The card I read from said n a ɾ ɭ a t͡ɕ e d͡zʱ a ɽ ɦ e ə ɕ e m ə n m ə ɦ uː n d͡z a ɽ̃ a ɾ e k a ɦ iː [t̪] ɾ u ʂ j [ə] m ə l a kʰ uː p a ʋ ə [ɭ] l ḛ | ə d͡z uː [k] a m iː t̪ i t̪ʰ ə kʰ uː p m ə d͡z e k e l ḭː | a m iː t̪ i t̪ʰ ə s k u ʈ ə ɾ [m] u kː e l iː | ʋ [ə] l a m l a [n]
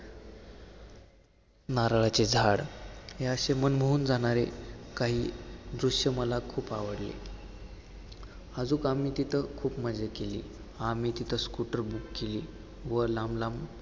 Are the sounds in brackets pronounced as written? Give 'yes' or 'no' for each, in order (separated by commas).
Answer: no, yes, no, yes, no, yes, no